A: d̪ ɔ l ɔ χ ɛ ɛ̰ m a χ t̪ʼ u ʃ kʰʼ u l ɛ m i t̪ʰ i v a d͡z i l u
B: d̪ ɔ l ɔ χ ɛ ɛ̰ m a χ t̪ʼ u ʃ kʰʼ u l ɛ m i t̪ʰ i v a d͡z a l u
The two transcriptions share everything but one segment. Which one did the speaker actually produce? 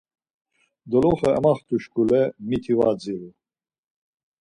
A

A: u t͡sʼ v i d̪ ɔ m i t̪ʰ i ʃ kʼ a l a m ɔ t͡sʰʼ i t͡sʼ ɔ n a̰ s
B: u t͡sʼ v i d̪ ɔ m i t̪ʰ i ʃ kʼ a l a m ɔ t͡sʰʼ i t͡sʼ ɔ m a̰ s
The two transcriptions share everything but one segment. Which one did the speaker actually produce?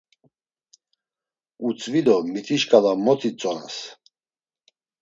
A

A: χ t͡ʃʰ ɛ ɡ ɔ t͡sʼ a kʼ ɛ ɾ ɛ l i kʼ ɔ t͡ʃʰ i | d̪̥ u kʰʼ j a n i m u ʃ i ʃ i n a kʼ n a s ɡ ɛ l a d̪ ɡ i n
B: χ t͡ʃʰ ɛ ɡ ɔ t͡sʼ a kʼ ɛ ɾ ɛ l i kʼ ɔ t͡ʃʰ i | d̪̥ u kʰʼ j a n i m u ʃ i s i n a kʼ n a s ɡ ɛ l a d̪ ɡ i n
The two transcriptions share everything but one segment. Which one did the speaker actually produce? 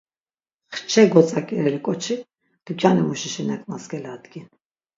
A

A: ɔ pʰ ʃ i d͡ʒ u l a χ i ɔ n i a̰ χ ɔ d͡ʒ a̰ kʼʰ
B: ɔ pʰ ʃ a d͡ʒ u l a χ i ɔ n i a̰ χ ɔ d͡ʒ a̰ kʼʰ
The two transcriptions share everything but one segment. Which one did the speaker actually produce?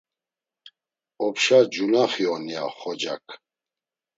B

